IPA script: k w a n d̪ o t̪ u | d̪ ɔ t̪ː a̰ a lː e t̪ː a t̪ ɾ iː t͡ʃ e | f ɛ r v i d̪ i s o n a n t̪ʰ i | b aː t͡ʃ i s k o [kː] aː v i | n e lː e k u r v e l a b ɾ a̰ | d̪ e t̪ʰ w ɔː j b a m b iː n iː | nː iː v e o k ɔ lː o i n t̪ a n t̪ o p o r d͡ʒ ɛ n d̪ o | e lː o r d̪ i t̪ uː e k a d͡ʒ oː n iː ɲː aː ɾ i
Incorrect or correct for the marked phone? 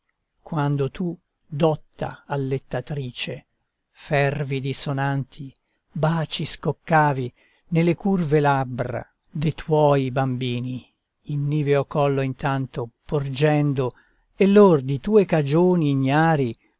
correct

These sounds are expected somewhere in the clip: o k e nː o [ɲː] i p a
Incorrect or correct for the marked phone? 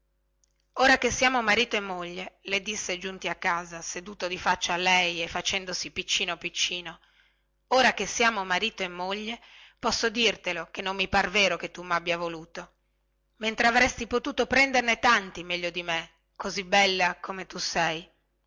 incorrect: mː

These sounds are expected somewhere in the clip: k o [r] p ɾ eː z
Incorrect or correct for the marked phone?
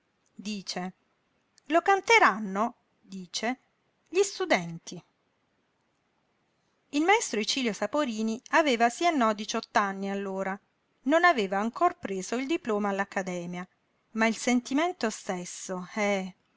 correct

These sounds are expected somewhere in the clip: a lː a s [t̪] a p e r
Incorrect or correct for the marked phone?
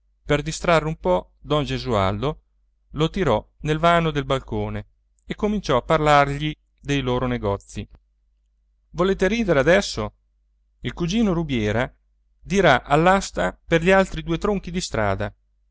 correct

